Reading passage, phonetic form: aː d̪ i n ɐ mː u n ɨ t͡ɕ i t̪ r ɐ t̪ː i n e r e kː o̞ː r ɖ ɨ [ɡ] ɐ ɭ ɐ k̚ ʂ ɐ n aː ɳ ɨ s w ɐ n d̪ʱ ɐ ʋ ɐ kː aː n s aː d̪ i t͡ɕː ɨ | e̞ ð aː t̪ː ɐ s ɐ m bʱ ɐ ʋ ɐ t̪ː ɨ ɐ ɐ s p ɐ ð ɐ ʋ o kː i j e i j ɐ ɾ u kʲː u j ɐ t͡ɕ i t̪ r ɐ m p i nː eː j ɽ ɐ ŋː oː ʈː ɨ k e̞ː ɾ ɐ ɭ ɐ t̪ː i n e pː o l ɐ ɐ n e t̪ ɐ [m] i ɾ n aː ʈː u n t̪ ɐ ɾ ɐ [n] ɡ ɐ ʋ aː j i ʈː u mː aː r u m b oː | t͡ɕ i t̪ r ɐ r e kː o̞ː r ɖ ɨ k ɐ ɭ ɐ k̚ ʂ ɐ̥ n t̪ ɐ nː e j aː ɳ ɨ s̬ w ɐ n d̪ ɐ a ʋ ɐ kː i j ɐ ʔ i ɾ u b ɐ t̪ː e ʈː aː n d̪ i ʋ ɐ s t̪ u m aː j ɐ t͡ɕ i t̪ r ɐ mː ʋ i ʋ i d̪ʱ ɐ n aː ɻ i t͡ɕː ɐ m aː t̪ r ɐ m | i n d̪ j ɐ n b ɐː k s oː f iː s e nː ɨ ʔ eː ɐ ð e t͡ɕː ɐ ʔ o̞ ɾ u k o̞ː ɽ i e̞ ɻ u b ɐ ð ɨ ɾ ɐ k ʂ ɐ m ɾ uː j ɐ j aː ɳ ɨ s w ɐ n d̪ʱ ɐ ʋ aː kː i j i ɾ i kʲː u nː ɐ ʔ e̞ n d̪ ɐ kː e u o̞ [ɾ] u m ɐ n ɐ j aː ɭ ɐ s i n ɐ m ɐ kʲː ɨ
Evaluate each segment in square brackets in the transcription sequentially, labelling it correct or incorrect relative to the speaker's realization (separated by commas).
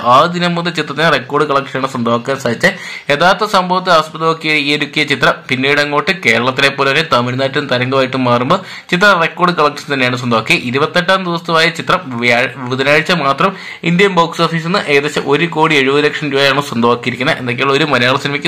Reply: incorrect, correct, incorrect, correct